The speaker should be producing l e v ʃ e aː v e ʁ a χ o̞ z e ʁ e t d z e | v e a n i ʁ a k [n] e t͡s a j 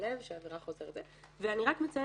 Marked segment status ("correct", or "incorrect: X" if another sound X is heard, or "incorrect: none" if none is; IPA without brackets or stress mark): incorrect: m